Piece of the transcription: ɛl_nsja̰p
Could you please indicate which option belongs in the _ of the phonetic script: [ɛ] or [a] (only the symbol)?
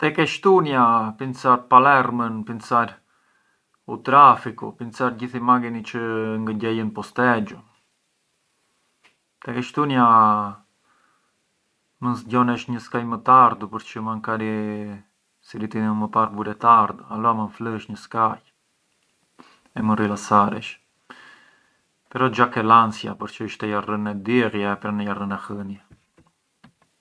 a